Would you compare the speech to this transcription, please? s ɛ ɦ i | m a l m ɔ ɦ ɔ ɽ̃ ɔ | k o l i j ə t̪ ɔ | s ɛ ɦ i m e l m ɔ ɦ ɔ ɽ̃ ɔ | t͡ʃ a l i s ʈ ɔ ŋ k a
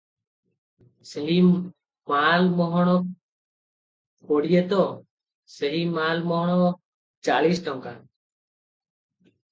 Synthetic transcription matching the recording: s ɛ ɦ i | m a l m ɔ ɦ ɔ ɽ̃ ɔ | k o ɽ i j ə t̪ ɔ | s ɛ ɦ i m a l m ɔ ɦ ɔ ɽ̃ ɔ | t͡ʃ a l i s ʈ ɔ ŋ k a